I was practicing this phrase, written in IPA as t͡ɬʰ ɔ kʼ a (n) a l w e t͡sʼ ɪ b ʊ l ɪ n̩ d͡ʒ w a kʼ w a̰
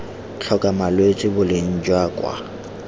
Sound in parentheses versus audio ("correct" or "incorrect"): incorrect